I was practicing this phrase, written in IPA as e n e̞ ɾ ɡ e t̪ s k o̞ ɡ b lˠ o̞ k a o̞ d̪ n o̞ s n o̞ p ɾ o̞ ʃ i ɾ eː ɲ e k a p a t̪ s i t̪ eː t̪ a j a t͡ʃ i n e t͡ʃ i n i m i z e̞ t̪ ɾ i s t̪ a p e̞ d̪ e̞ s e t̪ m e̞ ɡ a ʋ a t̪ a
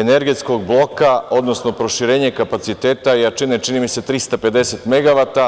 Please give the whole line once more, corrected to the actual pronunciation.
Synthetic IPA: e n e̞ ɾ ɡ e t̪ s k o̞ ɡ b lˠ o̞ k a o̞ d̪ n o̞ s n o̞ p ɾ o̞ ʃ i ɾ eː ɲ e k a p a t̪ s i t̪ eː t̪ a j a t͡ʃ i n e t͡ʃ i n i m i s e̞ t̪ ɾ i s t̪ a p e̞ d̪ e̞ s e t̪ m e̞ ɡ a ʋ a t̪ a